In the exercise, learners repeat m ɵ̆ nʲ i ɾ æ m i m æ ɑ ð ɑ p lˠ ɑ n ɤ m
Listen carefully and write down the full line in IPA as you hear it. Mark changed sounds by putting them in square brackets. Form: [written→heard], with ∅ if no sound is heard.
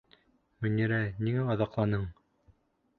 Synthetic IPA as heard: m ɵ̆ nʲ i ɾ æ [m→n] i [m→ŋ] æ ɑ ð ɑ [p→q] lˠ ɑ n ɤ [m→ɴ]